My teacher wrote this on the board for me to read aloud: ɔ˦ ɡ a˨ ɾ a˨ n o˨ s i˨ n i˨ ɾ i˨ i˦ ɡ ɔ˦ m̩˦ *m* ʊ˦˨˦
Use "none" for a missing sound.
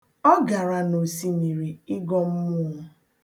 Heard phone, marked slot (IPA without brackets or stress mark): m